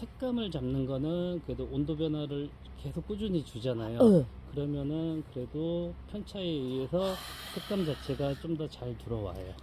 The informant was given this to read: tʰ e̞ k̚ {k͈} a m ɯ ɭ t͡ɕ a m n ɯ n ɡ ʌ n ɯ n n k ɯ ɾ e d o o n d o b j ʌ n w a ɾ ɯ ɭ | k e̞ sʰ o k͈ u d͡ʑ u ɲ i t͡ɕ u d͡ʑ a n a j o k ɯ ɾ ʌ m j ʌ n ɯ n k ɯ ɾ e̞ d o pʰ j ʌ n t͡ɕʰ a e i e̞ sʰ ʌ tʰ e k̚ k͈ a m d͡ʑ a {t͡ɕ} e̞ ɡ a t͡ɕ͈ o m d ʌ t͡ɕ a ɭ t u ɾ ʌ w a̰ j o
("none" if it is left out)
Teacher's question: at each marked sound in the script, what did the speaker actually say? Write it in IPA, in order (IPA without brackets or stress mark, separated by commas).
k͈, t͡ɕʰ